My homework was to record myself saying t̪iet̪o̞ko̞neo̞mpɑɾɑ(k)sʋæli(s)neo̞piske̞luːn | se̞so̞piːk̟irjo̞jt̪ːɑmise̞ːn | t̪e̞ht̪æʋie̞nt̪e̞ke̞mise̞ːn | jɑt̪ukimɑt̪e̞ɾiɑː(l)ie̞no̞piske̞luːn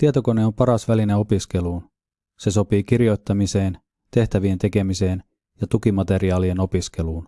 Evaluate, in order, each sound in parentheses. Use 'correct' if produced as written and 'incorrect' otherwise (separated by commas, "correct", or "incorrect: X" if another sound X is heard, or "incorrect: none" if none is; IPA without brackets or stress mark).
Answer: incorrect: none, incorrect: none, correct